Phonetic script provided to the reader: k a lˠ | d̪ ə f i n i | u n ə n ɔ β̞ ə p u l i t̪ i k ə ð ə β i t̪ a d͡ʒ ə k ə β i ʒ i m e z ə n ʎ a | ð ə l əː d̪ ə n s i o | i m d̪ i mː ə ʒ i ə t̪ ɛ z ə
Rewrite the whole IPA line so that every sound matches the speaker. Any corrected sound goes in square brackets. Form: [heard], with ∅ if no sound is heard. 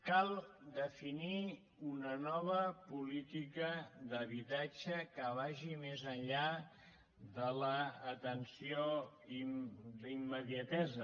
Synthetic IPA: k a lˠ | d̪ ə f i n i | u n ə n ɔ β̞ ə p u l i t̪ i k ə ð ə β i t̪ a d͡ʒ ə k ə β [a] ʒ i m e z ə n ʎ a | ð ə l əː [t̪] ə n s i o | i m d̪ i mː ə [ð] i ə t̪ ɛ z ə